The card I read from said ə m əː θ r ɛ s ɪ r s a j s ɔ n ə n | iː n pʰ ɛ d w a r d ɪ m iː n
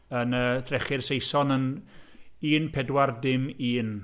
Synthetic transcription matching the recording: ə n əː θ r ɛ χ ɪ r s e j s ɔ n ə n | iː n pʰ ɛ d w a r d ɪ m iː n